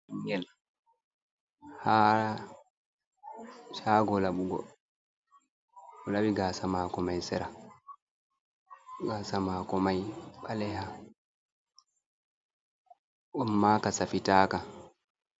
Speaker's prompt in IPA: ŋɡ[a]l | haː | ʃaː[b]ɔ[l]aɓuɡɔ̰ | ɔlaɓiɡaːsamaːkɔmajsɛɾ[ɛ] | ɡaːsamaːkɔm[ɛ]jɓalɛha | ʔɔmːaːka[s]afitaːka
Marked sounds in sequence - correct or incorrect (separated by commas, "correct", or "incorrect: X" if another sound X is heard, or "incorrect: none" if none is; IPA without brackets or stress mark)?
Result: incorrect: ɛ, incorrect: ɡ, correct, incorrect: a, incorrect: a, correct